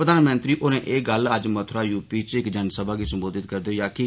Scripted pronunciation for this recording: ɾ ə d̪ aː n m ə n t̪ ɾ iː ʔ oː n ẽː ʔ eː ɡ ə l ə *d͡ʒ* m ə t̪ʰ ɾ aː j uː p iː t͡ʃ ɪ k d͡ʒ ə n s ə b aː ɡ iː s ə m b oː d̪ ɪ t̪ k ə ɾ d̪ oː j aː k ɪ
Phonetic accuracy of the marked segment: correct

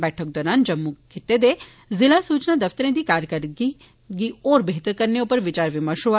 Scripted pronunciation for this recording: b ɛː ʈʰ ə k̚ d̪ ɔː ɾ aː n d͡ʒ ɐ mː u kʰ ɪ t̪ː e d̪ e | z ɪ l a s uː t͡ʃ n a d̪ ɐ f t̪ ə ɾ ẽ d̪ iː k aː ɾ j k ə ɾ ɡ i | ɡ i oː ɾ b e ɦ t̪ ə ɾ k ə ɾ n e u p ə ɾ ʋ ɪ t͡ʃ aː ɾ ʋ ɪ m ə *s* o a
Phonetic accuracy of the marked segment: incorrect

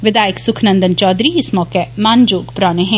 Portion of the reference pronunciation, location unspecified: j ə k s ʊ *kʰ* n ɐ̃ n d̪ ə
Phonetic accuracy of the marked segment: correct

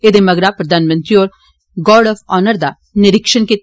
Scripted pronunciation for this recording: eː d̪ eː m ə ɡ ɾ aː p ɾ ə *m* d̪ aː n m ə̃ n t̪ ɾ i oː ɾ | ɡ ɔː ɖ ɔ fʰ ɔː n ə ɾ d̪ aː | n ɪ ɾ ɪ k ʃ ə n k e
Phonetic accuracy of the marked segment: incorrect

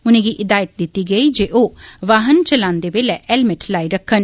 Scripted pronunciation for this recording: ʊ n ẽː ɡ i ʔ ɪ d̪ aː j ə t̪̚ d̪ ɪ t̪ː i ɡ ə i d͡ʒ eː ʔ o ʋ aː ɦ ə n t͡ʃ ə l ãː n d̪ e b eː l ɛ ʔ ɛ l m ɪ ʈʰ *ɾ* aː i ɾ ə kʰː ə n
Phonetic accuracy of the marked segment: incorrect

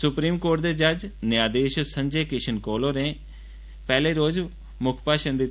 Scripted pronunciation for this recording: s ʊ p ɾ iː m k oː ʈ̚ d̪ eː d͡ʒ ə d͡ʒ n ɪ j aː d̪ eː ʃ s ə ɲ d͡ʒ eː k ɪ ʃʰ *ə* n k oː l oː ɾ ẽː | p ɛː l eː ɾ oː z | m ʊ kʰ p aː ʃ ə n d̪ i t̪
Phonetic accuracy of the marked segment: correct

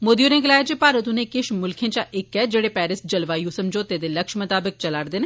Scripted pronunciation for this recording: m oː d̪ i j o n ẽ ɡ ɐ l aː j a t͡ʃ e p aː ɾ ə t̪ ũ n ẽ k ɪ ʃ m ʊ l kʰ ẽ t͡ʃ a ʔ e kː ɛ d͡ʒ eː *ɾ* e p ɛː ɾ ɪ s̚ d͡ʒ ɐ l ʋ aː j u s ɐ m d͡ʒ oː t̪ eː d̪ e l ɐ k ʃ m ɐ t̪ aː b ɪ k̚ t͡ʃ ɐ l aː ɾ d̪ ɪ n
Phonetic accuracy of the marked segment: incorrect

